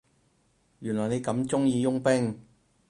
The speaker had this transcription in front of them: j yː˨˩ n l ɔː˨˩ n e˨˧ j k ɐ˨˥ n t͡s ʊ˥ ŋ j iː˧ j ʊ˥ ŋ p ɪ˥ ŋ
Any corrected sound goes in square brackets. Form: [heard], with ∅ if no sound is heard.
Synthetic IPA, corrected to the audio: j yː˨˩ n l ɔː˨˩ n e˨˧ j k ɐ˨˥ [m] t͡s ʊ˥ ŋ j iː˧ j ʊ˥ ŋ p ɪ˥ ŋ